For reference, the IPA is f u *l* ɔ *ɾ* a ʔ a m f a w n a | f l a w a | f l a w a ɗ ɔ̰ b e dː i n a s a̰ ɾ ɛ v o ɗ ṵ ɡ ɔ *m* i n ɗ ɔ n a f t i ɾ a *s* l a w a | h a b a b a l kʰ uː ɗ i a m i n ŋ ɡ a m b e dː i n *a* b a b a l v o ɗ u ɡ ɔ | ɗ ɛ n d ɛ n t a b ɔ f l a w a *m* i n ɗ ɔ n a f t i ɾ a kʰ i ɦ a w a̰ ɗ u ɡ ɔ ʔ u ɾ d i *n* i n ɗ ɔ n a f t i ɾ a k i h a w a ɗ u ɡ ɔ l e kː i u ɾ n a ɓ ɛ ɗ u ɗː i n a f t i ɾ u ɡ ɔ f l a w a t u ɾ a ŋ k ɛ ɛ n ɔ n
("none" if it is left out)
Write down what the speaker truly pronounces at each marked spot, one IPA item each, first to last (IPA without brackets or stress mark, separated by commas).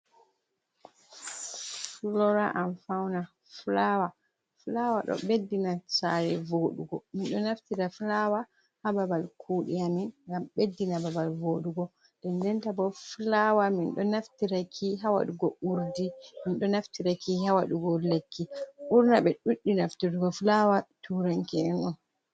l, ɾ, m, f, a, m, m